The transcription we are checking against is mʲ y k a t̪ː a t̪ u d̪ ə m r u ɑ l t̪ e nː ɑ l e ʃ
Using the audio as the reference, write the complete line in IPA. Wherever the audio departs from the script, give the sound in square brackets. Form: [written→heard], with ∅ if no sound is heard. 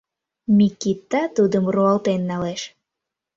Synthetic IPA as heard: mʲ [y→i] k [a→i] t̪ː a t̪ u d̪ ə m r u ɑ l t̪ e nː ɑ l e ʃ

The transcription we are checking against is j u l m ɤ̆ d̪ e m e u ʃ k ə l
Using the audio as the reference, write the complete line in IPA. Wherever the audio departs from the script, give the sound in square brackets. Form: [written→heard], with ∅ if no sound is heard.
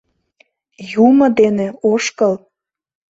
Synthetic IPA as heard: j u [l→∅] m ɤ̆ d̪ e [m→n] e [u→o] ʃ k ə l

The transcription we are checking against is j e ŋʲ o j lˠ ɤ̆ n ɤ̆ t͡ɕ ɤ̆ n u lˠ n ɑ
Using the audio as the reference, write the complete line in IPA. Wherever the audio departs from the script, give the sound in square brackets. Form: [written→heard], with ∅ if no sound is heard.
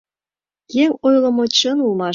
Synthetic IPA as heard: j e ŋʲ o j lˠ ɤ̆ [n→m] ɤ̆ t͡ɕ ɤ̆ n u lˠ [n→m] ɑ

